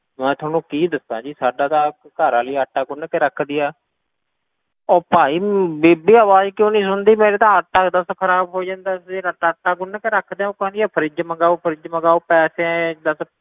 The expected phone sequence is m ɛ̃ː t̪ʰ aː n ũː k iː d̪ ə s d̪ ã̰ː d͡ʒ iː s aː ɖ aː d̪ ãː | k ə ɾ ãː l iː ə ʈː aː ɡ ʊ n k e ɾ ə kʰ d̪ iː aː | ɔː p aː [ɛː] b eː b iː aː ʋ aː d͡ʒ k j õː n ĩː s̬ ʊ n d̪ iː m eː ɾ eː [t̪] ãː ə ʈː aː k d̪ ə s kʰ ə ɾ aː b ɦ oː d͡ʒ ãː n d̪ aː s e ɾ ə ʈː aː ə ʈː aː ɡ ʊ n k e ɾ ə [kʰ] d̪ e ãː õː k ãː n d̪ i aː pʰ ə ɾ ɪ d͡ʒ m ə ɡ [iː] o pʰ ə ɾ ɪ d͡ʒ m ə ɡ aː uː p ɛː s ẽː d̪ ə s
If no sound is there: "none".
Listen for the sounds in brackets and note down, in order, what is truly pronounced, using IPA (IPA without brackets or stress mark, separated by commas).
iː, t̪, kʰ, aː